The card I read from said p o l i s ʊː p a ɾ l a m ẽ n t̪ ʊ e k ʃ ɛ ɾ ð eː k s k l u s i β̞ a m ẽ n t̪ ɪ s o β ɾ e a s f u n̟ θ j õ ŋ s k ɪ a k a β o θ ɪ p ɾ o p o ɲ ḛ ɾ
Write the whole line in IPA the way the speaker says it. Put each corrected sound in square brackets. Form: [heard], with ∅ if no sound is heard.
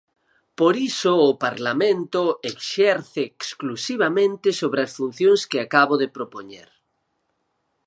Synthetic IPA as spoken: p o [ɾ] i s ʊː p a ɾ l a m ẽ n t̪ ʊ e k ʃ ɛ ɾ [θ] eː k s k l u s i β̞ a m ẽ n t̪ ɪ s o β ɾ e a s f u n̟ θ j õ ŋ s k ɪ a k a β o [ð] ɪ p ɾ o p o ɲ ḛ ɾ